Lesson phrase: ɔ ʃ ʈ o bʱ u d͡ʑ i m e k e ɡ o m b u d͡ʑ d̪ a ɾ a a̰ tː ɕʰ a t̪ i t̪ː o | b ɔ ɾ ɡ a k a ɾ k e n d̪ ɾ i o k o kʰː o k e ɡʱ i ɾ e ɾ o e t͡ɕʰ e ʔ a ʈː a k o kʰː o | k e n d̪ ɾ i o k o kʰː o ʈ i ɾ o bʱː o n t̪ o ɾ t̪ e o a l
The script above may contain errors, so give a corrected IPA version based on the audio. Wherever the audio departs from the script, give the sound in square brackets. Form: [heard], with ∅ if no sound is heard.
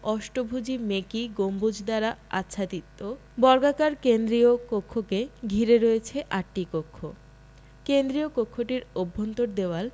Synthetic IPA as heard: ɔ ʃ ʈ o bʱ u d͡ʑ i m e k [i] ɡ o m b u d͡ʑ d̪ a ɾ a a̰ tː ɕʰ a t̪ i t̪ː o | b ɔ ɾ ɡ a k a ɾ k e n d̪ ɾ i o k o kʰː o k e ɡʱ i ɾ e ɾ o e t͡ɕʰ e ʔ a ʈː [i] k o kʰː o | k e n d̪ ɾ i o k o kʰː o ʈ i ɾ o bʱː o n t̪ o ɾ [d̪] e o a l